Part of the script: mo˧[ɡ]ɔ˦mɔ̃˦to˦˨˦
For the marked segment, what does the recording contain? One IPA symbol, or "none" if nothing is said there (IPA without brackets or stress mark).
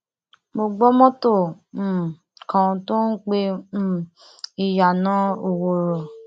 ɡ͡b